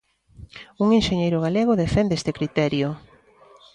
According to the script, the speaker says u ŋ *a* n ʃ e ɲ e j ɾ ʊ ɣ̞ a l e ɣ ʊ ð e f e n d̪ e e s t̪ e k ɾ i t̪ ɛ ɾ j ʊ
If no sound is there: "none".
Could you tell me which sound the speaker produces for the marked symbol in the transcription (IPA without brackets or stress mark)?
e